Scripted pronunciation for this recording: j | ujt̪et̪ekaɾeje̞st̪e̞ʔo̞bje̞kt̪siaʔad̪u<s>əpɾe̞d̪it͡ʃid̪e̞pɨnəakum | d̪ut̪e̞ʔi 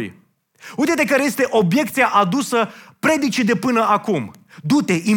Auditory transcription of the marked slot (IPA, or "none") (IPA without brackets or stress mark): s